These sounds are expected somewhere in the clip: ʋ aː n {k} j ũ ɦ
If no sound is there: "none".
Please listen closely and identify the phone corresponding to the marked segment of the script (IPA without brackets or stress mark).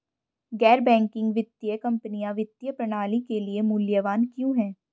k